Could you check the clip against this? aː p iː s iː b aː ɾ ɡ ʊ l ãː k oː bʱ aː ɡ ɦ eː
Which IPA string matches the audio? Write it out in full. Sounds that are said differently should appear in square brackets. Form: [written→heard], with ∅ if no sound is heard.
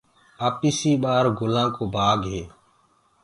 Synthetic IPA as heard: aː p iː s iː [b→ɓ] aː ɾ ɡ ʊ l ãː k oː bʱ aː ɡ ɦ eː